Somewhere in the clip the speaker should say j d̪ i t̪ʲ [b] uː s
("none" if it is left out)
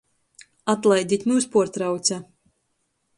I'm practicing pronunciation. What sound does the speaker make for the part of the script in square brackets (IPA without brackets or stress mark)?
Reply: m